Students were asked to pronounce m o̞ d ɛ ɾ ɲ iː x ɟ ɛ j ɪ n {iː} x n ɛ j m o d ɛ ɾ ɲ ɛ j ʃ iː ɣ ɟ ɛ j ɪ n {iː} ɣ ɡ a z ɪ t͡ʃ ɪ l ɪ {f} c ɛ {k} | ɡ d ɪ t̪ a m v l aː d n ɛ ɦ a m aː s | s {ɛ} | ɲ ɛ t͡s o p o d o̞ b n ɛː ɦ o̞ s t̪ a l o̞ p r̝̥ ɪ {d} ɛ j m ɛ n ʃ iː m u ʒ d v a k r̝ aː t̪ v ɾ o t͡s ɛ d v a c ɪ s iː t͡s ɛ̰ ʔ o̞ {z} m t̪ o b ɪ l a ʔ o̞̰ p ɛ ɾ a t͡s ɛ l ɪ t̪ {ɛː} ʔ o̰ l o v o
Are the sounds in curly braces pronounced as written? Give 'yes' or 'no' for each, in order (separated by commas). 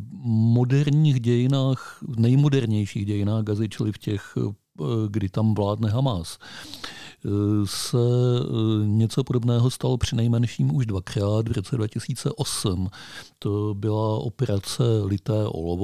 no, no, yes, no, yes, no, no, yes